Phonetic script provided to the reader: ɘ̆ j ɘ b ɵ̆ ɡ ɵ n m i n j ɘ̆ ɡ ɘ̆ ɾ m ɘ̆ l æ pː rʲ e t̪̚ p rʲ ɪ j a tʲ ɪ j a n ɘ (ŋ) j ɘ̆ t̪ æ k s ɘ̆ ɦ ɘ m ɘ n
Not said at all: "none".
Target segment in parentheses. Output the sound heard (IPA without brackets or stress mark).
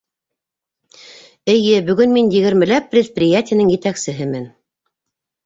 ŋ